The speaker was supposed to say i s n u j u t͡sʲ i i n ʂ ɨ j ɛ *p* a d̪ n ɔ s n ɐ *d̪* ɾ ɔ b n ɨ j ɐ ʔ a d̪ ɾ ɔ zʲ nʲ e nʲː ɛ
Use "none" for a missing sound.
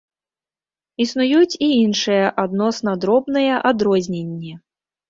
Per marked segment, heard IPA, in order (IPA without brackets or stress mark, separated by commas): ʔ, d̪